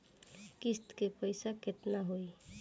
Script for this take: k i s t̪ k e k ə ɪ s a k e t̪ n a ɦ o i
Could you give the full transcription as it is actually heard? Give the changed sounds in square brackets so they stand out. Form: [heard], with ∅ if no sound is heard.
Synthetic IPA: k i s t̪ k e [p] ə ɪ s a k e t̪ n a ɦ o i